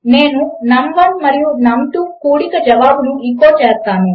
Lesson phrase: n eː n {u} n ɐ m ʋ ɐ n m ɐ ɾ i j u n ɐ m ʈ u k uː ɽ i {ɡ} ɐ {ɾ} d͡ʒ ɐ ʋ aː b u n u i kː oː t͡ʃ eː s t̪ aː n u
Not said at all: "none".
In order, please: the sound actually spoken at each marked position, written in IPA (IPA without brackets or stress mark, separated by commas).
u, k, none